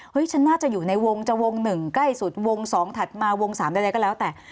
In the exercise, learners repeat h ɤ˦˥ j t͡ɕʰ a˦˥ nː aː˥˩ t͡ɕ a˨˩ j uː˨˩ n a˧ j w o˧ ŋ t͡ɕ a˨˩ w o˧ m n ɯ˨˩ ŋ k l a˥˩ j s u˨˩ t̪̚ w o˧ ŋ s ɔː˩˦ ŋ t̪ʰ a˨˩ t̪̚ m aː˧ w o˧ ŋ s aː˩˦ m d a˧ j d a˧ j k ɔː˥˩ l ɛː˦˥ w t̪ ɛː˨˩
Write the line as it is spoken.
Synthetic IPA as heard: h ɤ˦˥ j t͡ɕʰ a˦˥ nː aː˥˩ t͡ɕ a˨˩ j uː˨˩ n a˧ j w o˧ ŋ t͡ɕ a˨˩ w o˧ ŋ n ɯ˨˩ ŋ k l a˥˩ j s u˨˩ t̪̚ w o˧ ŋ s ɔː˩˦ ŋ t̪ʰ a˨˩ t̪̚ m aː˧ w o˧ ŋ s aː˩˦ m d a˧ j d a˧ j k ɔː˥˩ l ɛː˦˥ w t̪ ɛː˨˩